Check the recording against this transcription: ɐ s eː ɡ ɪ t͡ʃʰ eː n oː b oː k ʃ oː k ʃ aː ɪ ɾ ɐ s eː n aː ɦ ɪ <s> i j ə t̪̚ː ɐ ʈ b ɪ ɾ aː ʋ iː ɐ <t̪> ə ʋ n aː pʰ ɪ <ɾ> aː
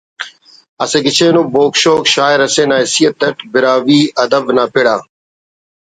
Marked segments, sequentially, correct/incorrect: correct, incorrect, incorrect

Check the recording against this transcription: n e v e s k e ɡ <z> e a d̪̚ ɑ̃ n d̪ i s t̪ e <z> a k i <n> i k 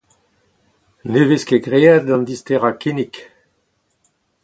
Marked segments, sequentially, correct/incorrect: incorrect, incorrect, correct

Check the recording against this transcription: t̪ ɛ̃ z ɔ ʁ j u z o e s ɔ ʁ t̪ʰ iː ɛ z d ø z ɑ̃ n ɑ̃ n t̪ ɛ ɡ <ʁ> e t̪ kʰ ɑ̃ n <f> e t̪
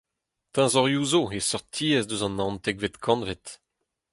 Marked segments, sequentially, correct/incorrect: incorrect, incorrect

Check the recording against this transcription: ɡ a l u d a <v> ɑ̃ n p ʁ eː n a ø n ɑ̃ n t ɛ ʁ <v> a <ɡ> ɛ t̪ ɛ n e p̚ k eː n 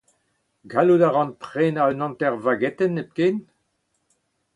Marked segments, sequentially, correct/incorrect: incorrect, correct, correct

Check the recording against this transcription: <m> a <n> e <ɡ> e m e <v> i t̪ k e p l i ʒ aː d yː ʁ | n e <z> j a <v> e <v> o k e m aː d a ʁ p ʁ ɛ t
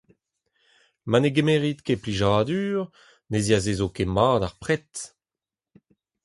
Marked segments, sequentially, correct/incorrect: correct, correct, correct, incorrect, correct, incorrect, incorrect

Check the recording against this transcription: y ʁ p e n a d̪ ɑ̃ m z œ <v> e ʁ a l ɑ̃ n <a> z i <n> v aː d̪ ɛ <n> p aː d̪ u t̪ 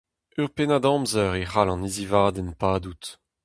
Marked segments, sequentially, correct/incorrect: incorrect, incorrect, incorrect, correct

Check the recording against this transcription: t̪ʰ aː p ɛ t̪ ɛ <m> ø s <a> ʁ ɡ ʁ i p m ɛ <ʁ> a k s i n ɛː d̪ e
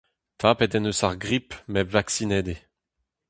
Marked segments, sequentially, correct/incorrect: incorrect, correct, incorrect

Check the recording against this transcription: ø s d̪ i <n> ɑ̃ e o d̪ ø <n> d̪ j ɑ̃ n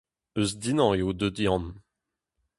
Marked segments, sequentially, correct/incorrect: correct, incorrect

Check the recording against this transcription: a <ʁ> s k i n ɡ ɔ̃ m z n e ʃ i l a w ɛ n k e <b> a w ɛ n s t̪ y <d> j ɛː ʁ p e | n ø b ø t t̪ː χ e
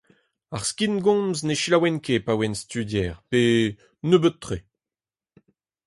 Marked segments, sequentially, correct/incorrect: correct, incorrect, correct

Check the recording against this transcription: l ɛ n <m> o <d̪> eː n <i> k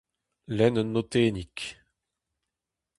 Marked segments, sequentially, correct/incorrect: incorrect, incorrect, correct

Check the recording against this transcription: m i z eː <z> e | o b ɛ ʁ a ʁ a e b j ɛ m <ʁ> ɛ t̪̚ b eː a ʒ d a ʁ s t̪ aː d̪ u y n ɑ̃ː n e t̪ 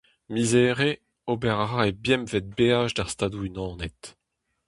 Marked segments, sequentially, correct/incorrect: incorrect, incorrect

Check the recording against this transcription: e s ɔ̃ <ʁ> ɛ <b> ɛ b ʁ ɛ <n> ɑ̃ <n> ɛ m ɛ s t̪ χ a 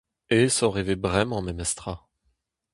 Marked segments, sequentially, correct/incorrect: correct, incorrect, incorrect, incorrect

